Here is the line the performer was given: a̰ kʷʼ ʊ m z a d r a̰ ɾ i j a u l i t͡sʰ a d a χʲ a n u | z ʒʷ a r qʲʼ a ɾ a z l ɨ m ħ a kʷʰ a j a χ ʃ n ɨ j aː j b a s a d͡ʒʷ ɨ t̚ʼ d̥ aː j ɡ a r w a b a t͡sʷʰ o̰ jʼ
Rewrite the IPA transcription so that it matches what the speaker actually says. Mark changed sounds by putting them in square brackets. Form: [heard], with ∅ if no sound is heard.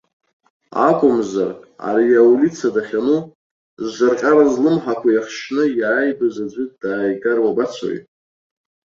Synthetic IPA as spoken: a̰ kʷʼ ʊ m z a [∅] r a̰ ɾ i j a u l i t͡sʰ a d a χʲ a n u | z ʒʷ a r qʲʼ a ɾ a z l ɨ m ħ a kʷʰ a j a χ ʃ n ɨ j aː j b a [z] a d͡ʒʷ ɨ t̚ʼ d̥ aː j ɡ a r w a b a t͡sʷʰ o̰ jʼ